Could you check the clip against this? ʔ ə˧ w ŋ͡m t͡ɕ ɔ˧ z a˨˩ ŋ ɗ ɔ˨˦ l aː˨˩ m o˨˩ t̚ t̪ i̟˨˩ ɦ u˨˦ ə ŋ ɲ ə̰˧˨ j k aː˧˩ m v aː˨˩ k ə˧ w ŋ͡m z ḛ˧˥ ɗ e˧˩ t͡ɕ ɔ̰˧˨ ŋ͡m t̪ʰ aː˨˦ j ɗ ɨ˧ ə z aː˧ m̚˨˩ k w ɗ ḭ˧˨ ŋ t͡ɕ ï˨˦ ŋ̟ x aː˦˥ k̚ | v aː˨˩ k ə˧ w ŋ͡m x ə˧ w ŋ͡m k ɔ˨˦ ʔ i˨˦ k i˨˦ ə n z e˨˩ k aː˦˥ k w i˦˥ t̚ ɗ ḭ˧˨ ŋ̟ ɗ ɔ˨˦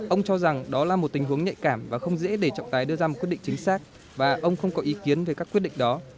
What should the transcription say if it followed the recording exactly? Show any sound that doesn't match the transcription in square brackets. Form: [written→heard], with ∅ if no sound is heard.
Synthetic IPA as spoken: ʔ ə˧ w ŋ͡m t͡ɕ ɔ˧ z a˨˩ ŋ ɗ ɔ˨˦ l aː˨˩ m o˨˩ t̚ t̪ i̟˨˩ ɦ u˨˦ ə ŋ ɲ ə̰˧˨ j k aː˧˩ m v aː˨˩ [k→x] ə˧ w ŋ͡m z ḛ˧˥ ɗ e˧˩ t͡ɕ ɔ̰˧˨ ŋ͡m [t̪ʰ→t̪] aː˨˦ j ɗ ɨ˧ ə z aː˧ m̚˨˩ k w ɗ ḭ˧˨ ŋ t͡ɕ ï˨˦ ŋ̟ [x→s] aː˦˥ k̚ | v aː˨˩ [k→ʔ] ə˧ w ŋ͡m x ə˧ w ŋ͡m k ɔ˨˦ ʔ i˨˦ k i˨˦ ə n [z→v] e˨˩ k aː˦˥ k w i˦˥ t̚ ɗ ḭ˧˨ ŋ̟ ɗ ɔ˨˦